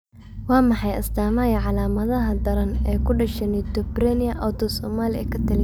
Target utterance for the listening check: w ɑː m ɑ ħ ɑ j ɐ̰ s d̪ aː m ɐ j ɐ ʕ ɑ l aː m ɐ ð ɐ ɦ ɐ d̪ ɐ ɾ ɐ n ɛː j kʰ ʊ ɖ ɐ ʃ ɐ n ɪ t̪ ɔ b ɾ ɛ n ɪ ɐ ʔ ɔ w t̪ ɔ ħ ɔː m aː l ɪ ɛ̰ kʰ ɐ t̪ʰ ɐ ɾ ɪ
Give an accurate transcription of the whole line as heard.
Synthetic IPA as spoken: w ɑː m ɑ ħ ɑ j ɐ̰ s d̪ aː m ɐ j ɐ ʕ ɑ l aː m ɐ ð ɐ ɦ ɐ d̪ ɐ ɾ ɐ n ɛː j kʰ ʊ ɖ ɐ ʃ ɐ n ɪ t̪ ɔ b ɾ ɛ n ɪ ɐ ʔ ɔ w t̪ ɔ s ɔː m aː l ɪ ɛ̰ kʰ ɐ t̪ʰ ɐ l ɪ